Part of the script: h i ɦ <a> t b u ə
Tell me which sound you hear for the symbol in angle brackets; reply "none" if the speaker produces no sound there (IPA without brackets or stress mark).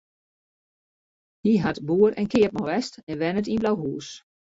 a